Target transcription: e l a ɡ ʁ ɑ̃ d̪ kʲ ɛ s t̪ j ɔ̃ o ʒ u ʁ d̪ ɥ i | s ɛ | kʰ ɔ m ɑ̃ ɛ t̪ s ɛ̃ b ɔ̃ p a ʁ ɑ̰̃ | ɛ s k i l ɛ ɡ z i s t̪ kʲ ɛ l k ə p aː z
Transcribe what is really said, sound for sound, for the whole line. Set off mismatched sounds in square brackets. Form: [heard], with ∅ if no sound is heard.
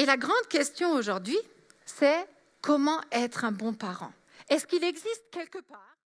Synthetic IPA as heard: e l a ɡ ʁ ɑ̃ d̪ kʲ ɛ s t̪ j ɔ̃ o ʒ u ʁ d̪ ɥ i | s ɛ | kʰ ɔ m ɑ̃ ɛ t̪ [χ] ɛ̃ b ɔ̃ p a ʁ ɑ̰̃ | ɛ s k i l ɛ ɡ z i s t̪ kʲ ɛ l k ə p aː [ʁ]